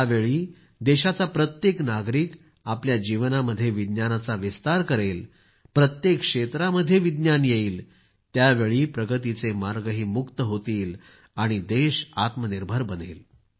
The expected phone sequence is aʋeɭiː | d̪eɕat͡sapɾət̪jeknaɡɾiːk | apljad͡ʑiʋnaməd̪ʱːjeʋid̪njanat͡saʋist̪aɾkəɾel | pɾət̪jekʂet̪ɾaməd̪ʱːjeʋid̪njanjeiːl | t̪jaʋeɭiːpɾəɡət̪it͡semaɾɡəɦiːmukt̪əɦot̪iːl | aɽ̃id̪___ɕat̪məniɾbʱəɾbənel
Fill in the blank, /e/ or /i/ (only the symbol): e